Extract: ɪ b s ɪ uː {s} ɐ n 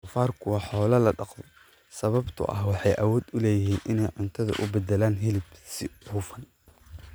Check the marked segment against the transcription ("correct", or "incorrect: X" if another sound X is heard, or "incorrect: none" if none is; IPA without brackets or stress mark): incorrect: f